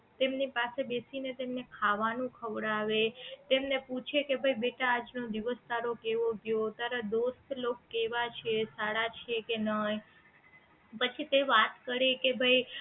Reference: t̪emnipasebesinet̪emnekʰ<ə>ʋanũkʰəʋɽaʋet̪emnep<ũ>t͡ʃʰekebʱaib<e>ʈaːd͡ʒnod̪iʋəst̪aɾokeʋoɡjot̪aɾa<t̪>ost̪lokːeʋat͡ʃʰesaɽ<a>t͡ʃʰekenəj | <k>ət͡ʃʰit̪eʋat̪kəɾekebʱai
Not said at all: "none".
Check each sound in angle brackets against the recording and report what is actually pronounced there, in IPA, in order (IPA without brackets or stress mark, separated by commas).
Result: a, u, e, d̪, a, p